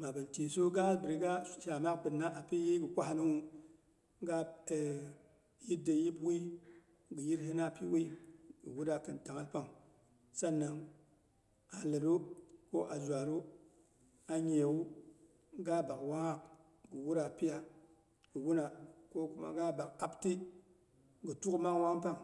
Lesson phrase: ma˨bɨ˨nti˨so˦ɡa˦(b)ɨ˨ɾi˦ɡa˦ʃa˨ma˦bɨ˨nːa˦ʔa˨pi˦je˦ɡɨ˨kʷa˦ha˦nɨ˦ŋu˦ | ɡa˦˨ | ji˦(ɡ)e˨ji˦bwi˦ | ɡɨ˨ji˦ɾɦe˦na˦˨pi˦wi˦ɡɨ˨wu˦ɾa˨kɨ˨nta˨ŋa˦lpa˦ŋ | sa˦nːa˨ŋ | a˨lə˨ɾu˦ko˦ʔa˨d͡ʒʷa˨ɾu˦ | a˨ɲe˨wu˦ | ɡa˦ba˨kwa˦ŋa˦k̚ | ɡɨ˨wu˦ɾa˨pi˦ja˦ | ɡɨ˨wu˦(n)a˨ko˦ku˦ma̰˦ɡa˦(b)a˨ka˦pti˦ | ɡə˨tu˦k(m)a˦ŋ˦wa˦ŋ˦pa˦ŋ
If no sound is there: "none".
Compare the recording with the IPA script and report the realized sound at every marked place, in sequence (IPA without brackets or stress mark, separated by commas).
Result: b, d, n, b, m